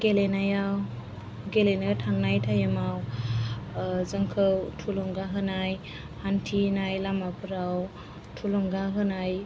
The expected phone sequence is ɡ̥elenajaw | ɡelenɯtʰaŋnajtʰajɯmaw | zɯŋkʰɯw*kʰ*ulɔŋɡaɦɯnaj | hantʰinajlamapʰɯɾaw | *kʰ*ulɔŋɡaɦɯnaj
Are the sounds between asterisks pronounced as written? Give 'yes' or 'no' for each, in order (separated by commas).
no, no